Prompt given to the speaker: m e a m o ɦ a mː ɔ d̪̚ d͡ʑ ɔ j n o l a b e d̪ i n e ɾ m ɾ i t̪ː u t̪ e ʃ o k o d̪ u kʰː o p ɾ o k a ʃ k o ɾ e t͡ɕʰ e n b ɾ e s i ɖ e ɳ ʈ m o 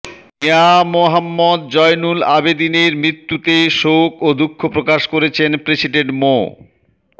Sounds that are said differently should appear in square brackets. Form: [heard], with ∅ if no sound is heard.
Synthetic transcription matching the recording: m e a m o ɦ a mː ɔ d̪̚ d͡ʑ ɔ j n [u] l a b e d̪ i n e ɾ m ɾ i t̪ː u t̪ e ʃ o k o d̪ u kʰː o p ɾ o k a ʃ k o ɾ e t͡ɕʰ e n [p] ɾ e s i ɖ e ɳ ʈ m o